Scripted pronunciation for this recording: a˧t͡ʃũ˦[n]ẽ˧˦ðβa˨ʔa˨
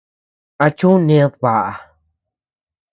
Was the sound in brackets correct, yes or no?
yes